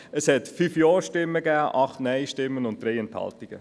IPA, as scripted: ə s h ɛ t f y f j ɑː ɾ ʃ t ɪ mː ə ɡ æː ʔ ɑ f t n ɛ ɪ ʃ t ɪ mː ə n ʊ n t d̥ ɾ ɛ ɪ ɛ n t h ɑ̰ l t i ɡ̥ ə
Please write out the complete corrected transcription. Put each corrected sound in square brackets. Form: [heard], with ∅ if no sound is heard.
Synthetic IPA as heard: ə s h ɛ t f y f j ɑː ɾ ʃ t ɪ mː ə ɡ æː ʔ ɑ [χ] t n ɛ ɪ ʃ t ɪ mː ə n ʊ n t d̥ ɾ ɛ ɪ ɛ n t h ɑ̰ l t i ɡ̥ ə